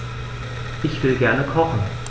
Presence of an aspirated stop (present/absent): present